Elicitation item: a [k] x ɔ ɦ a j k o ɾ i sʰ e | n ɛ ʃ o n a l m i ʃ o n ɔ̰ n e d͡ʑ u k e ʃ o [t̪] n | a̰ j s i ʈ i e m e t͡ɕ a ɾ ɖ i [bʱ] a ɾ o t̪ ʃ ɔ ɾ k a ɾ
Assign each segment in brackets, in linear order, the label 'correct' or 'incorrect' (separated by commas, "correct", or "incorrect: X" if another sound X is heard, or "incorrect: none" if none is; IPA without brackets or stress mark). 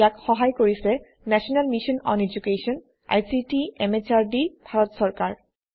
correct, incorrect: none, correct